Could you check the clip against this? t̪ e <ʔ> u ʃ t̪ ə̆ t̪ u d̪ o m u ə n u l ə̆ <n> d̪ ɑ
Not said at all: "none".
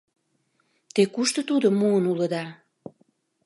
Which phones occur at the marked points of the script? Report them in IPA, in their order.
k, none

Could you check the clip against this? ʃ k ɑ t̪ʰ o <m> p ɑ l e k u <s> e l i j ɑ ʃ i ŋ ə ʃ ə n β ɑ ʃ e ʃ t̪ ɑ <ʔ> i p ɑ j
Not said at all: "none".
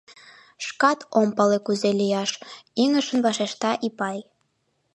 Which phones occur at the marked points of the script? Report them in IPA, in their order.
m, z, ʔ

